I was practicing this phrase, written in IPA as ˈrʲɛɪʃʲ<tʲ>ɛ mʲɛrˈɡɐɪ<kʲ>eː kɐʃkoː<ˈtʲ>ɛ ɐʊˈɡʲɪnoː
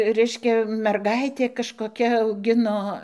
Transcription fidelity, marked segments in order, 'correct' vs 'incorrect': incorrect: kʲ, incorrect: tʲ, incorrect: kʲ

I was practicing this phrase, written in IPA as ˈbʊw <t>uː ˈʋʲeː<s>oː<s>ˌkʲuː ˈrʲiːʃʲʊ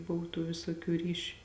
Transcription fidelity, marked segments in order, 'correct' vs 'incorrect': correct, correct, incorrect: none

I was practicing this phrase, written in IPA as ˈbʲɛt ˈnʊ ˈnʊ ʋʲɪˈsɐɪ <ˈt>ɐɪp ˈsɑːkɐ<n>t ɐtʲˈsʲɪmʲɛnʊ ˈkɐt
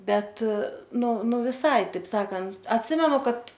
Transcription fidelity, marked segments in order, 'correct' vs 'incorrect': correct, correct

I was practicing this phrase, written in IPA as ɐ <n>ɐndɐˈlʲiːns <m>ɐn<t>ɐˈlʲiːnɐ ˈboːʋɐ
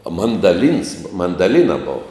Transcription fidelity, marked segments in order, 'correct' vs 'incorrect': incorrect: m, correct, incorrect: d

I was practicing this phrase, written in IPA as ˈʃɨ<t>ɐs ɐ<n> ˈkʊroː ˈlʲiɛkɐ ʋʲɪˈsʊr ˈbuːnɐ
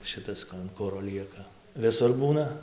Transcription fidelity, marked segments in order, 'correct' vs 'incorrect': correct, correct

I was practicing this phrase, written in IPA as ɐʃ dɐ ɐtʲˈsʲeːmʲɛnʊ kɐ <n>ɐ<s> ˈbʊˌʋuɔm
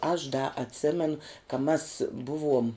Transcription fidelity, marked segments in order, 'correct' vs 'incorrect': incorrect: m, correct

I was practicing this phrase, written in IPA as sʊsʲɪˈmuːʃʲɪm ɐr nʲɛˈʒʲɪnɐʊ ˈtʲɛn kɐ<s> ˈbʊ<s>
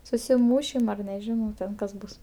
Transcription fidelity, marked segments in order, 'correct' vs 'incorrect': correct, correct

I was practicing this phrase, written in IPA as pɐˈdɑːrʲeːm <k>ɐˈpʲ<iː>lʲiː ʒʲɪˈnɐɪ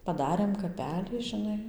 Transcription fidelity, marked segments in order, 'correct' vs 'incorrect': correct, incorrect: æː

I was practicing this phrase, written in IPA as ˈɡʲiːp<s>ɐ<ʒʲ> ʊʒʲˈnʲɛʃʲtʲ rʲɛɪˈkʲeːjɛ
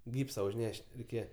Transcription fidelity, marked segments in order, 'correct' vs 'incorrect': correct, incorrect: none

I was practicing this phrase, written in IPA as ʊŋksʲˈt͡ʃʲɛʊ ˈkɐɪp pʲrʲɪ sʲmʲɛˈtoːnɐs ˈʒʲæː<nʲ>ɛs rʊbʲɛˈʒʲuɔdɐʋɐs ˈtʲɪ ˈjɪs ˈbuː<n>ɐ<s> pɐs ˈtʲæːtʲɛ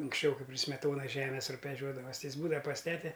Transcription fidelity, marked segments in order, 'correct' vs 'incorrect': incorrect: mʲ, incorrect: d, incorrect: none

